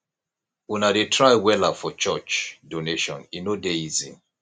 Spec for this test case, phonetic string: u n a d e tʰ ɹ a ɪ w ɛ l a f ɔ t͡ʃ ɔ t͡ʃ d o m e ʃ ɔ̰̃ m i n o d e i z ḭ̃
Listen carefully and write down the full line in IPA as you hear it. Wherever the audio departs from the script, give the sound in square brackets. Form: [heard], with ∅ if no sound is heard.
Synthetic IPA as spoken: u n a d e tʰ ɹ a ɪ w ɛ l a f ɔ t͡ʃ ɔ t͡ʃ d o [n] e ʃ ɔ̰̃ [n] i n o d e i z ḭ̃